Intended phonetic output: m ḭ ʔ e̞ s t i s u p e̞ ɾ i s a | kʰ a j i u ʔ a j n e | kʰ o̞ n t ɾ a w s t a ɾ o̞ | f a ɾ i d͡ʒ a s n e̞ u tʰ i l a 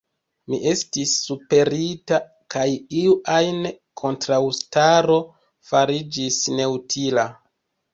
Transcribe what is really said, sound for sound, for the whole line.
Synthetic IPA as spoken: m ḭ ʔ e̞ s t i sː u p e̞ ɾ i t a | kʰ a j i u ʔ a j n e | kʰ o̞ n t ɾ a w s t a ɾ o̞ | f a ɾ i d͡ʒ i s n e̞ u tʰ i l a